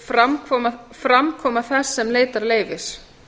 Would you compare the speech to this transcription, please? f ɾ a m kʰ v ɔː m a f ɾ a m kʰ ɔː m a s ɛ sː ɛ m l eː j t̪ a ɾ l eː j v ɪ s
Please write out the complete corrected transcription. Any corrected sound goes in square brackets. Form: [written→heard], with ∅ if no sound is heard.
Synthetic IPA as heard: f ɾ a m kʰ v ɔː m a f ɾ a m kʰ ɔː m a [s→θ] ɛ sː ɛ m l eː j t̪ a ɾ l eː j v ɪ s